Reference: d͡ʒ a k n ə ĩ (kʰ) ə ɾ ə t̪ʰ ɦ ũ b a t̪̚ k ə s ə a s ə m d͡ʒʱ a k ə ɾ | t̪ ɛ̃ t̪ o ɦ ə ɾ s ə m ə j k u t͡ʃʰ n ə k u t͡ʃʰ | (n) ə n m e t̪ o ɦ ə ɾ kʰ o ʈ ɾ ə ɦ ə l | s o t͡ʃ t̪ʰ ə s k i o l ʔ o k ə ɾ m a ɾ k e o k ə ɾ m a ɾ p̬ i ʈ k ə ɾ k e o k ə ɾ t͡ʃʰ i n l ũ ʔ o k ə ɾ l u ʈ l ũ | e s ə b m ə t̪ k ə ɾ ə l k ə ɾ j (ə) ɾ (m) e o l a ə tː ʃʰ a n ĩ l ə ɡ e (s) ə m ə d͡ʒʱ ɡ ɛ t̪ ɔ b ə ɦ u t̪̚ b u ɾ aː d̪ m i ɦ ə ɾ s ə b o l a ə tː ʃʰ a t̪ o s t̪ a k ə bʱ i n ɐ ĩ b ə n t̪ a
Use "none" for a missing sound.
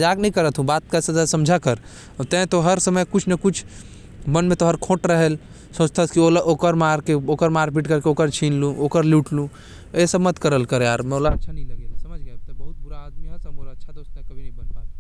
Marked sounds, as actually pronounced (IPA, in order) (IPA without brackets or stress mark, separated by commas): k, m, a, m, s